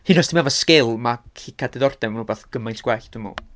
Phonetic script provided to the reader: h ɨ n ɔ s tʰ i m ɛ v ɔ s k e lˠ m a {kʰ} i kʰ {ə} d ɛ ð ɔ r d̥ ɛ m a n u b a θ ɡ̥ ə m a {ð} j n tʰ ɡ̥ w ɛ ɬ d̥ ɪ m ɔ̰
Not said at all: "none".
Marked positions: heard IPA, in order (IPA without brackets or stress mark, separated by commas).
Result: kʰ, a, none